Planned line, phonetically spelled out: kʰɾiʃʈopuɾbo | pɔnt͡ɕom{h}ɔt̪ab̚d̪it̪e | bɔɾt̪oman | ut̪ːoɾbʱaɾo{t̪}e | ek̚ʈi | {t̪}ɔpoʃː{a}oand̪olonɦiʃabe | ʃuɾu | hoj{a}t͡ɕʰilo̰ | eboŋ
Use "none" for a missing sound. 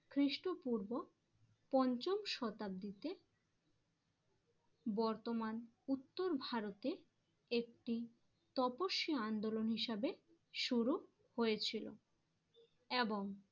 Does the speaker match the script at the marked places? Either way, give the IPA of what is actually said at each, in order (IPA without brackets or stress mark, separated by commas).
ʃ, t̪, t̪, i, e